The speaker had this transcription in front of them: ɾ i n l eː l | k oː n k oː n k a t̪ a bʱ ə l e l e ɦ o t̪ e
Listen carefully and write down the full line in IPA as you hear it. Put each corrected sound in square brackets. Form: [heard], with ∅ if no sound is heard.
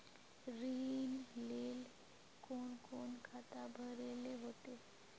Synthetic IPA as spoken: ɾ i n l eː l | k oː n k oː n [kʰ] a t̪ a bʱ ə [ɾ] e l e ɦ o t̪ e